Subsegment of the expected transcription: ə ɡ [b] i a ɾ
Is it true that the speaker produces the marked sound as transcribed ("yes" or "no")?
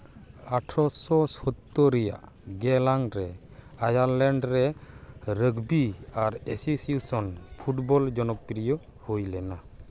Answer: yes